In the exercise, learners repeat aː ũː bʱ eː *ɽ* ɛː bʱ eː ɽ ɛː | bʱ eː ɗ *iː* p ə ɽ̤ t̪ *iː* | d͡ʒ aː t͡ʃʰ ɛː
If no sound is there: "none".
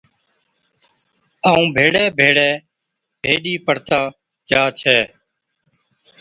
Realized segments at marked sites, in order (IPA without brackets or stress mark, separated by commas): ɽ, iː, aː